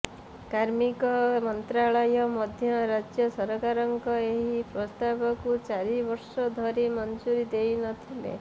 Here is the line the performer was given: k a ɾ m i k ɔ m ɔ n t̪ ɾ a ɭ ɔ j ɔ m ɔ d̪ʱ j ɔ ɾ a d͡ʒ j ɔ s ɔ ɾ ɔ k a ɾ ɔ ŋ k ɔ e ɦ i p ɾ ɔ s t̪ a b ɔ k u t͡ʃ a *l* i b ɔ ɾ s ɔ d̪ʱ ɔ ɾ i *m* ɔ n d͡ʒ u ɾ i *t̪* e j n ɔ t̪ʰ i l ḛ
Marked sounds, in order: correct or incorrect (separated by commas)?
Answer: incorrect, correct, incorrect